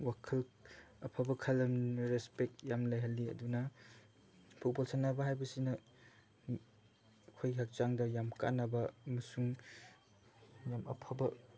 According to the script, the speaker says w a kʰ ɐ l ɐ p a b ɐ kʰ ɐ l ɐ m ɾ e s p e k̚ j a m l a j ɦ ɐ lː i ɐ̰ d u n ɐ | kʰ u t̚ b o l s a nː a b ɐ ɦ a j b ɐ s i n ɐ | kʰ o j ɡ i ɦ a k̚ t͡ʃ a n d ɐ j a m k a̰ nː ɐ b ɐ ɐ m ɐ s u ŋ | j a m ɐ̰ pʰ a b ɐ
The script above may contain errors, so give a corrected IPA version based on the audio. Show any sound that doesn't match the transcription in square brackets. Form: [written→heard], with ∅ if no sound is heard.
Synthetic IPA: w a kʰ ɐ l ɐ [p→pʰ] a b ɐ kʰ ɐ l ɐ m ɾ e s p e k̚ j a m l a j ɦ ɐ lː i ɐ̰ d u n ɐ | [kʰ→pʰ] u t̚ b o l s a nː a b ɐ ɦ a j b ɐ s i n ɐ | kʰ o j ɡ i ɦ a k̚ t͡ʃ a [n→ŋ] d ɐ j a m k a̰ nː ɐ b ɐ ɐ m ɐ s u ŋ | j a m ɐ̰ pʰ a b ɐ